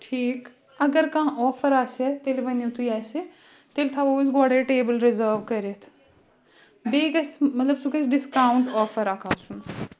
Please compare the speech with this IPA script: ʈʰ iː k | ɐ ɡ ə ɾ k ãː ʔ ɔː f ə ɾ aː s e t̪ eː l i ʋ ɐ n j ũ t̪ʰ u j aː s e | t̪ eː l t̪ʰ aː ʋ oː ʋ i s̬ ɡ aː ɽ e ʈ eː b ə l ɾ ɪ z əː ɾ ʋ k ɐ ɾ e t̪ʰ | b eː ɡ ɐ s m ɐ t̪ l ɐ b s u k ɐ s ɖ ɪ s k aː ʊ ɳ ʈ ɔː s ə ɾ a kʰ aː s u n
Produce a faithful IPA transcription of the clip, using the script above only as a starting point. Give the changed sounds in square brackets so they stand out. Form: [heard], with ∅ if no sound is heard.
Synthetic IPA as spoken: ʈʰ iː k | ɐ ɡ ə ɾ k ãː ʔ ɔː f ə ɾ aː s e t̪ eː l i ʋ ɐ n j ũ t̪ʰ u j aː s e | t̪ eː l t̪ʰ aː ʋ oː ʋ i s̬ ɡ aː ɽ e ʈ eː b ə l ɾ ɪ z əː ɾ ʋ k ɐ ɾ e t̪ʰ | b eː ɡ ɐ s m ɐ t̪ l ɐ b s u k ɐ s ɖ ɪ s k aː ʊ ɳ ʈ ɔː [f] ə ɾ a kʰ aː s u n